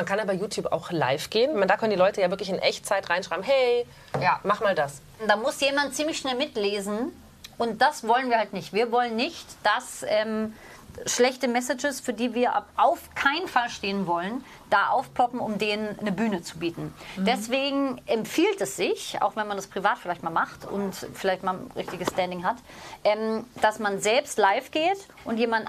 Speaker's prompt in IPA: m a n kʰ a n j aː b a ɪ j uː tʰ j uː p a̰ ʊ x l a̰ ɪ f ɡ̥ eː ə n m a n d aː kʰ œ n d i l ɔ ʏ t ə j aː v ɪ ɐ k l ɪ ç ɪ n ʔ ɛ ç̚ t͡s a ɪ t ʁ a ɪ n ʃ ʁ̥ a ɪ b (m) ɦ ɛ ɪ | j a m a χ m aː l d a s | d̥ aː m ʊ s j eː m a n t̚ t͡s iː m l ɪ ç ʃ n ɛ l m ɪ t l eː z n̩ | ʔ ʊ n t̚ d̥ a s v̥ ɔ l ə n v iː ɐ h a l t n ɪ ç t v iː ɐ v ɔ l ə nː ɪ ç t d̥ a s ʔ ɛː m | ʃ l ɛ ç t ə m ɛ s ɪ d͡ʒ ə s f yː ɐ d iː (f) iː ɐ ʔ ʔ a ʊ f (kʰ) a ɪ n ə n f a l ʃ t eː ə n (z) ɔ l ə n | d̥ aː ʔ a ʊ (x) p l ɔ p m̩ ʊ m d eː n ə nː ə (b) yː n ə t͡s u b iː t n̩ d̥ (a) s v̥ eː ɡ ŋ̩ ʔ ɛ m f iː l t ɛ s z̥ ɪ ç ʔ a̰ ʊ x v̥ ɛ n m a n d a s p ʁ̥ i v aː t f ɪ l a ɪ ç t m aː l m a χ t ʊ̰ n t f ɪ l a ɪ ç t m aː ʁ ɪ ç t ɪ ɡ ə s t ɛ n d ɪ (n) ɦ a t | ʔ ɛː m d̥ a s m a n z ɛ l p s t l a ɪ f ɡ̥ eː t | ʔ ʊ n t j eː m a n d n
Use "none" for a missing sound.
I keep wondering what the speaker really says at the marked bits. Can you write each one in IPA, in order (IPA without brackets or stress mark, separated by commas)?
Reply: m, v, kʰ, v, f, b, ɛ, ŋ